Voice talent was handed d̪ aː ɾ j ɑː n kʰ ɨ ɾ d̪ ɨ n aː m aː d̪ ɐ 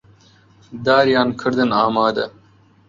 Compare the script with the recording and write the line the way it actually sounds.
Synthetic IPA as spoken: d̪ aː ɾ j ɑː n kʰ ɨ ɾ d̪ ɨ n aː m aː d̪ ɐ